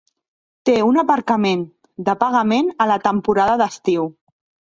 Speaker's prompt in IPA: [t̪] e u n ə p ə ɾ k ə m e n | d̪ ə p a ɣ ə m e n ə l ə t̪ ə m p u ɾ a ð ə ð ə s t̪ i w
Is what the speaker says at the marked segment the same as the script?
yes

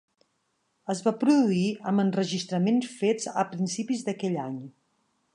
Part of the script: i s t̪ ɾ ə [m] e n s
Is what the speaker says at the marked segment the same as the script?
yes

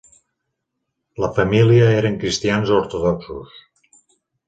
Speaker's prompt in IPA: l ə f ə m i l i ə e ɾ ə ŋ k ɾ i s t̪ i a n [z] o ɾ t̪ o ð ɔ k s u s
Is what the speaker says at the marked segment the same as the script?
yes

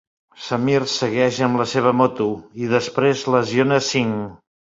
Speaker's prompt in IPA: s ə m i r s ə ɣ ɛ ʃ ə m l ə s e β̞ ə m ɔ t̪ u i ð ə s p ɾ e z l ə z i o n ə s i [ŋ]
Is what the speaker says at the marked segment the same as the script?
yes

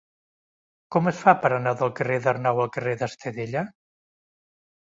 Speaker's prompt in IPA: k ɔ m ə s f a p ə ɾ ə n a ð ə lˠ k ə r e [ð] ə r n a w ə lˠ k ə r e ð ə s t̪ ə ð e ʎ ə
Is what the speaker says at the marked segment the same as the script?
yes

